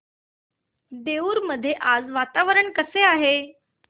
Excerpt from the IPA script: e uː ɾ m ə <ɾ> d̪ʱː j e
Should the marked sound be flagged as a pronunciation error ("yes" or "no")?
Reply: yes